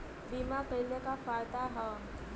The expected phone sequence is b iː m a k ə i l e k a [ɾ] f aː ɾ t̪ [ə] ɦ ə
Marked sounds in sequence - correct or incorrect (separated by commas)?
incorrect, incorrect